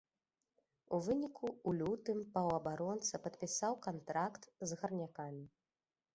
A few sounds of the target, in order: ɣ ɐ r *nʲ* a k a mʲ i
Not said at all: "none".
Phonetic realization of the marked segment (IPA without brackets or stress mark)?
nʲ